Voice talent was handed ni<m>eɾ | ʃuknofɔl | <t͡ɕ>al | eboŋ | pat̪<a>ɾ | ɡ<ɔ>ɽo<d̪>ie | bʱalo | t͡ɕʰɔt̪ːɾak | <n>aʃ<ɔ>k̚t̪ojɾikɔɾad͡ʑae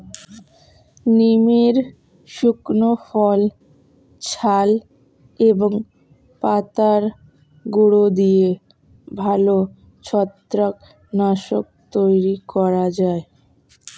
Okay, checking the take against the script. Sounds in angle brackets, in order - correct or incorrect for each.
correct, incorrect, correct, incorrect, correct, correct, incorrect

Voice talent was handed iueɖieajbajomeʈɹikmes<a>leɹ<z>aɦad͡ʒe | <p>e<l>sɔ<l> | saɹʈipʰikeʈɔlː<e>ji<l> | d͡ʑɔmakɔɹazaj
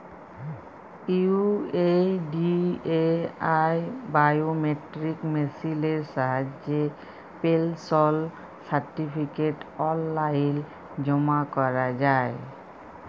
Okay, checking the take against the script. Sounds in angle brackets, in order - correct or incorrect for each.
incorrect, incorrect, correct, correct, correct, incorrect, correct

